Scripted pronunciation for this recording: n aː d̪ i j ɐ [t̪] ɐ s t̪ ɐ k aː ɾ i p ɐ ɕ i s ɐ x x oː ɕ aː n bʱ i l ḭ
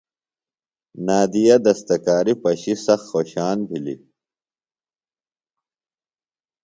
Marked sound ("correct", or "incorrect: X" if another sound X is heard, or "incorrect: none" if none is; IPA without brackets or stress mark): incorrect: d̪